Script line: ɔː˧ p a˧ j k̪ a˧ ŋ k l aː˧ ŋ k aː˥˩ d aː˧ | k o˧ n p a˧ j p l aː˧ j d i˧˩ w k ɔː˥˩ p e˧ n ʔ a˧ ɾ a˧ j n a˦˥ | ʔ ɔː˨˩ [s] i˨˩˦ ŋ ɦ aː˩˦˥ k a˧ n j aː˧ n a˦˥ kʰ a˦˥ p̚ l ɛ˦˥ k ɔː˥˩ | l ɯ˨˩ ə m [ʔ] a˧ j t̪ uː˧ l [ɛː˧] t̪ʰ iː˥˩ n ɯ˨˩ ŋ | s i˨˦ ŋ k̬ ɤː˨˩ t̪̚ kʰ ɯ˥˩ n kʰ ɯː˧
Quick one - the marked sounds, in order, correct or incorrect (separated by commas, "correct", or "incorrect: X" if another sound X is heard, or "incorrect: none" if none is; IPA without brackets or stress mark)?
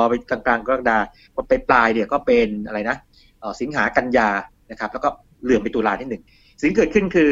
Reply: correct, incorrect: p, incorrect: aː˧